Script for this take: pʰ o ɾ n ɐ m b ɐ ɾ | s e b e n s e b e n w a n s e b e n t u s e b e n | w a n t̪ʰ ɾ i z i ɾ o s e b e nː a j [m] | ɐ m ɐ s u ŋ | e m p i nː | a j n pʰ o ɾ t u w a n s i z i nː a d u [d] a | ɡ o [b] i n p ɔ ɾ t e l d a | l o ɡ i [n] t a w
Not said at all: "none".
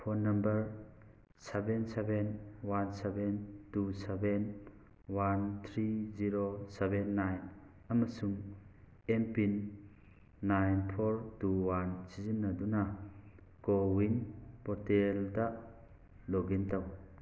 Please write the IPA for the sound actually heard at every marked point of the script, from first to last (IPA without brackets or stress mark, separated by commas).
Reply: n, n, w, n